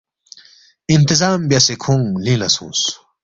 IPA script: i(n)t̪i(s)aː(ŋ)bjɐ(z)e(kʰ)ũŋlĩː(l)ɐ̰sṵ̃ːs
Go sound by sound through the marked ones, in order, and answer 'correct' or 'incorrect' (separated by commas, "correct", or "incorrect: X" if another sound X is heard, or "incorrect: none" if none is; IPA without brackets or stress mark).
correct, incorrect: z, incorrect: m, incorrect: s, correct, correct